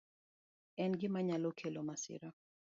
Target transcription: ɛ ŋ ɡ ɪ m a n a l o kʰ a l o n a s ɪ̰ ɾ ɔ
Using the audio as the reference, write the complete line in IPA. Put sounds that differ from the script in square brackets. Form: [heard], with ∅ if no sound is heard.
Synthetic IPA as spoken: ɛ [n] ɡ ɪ m a [ɲ] a l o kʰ [e] l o [m] a s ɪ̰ ɾ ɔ